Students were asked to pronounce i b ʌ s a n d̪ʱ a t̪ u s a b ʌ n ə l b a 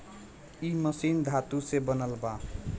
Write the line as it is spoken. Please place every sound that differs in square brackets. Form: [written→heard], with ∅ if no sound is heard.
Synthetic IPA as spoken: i [b→m] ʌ s [a→i] n d̪ʱ a t̪ u s [a→e] b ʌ n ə l b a